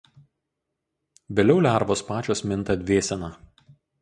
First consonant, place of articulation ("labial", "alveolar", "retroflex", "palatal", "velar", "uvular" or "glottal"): labial